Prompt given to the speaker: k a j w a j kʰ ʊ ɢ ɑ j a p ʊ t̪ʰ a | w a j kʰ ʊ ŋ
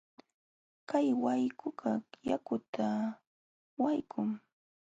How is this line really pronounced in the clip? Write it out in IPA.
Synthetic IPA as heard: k a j w a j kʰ ʊ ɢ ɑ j a k ʊ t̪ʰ a | w a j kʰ ʊ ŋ